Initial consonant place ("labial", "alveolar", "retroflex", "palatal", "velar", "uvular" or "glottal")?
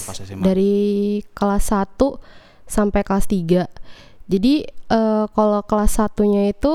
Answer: alveolar